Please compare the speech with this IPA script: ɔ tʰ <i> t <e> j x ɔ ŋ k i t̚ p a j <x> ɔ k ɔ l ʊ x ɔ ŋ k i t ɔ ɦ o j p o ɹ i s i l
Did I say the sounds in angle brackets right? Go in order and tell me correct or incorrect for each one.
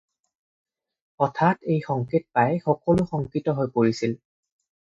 incorrect: a, correct, correct

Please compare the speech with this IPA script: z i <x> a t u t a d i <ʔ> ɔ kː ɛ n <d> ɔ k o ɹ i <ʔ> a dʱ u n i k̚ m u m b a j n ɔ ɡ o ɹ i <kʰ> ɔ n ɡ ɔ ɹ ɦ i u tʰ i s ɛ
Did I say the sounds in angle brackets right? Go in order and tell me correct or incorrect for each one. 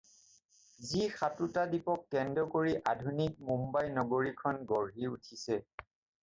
correct, incorrect: p, correct, correct, correct

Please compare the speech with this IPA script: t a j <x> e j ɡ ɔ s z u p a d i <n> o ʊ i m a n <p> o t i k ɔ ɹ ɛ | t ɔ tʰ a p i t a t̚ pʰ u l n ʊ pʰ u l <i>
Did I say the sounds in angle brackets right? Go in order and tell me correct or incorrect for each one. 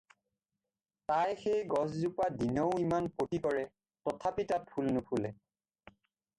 correct, correct, correct, incorrect: ɛ

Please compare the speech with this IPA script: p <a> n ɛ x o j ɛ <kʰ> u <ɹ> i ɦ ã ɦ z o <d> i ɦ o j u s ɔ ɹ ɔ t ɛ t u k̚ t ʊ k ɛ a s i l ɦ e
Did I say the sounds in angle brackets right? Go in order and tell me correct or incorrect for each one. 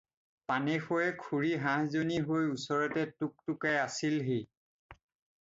correct, correct, correct, incorrect: n

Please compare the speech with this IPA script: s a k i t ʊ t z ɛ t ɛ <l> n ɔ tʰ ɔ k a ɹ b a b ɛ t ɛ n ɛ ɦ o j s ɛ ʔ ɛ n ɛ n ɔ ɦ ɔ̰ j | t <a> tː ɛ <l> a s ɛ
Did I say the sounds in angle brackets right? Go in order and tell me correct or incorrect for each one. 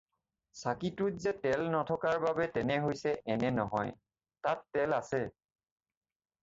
correct, correct, correct

